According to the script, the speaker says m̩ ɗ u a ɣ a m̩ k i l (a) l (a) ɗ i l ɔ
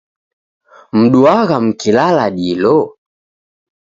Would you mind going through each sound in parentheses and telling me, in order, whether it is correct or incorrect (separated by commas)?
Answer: correct, correct